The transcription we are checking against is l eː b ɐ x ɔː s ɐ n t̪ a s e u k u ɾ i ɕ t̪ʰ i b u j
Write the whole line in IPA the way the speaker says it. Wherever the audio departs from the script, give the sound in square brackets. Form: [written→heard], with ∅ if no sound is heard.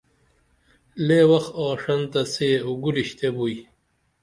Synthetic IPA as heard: l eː [b→w] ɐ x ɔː [s→ʂ] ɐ n t̪ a s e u [k→ɡ] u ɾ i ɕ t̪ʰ [i→e] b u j